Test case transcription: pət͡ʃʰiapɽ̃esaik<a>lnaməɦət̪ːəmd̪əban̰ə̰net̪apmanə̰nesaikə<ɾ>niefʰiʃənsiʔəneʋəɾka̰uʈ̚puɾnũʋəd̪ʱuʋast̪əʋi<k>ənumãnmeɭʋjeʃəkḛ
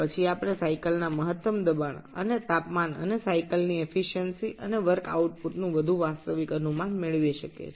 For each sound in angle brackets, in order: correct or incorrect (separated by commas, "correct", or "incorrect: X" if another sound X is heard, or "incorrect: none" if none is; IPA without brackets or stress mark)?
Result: incorrect: ə, incorrect: l, correct